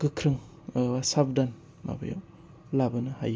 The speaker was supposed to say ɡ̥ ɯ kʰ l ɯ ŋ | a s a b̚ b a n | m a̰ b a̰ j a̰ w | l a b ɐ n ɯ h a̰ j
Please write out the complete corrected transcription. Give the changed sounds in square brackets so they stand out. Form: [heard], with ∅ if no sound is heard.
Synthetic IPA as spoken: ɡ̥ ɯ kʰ [ɾ] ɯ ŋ | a s a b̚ [d] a n | m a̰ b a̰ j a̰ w | l a b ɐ n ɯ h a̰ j